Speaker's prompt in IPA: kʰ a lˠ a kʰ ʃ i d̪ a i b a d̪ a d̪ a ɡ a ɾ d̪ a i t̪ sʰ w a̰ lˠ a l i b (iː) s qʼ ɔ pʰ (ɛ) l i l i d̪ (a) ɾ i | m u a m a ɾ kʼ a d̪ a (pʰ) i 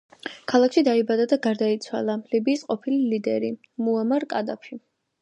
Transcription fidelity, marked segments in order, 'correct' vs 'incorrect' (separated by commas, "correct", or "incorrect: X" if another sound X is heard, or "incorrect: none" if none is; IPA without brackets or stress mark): correct, incorrect: i, incorrect: ɛ, correct